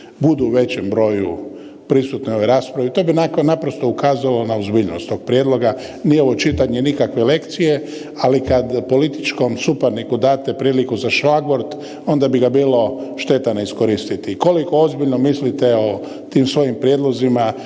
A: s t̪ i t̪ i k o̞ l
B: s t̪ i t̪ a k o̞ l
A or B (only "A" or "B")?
A